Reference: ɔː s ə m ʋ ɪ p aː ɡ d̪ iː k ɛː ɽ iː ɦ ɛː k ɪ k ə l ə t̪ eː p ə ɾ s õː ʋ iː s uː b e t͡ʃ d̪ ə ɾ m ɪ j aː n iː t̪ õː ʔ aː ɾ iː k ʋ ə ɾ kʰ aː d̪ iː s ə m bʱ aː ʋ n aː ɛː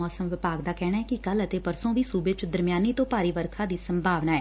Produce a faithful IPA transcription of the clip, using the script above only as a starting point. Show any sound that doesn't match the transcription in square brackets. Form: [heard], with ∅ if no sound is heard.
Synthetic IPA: ɔː s ə m ʋ ɪ p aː ɡ d̪ [aː] k ɛː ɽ [aː] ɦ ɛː k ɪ k ə l ə t̪ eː p ə ɾ s õː ʋ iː s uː b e t͡ʃ d̪ ə ɾ m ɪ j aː n iː t̪ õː [p] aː ɾ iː [∅] ʋ ə ɾ kʰ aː d̪ iː s ə m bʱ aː ʋ n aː ɛː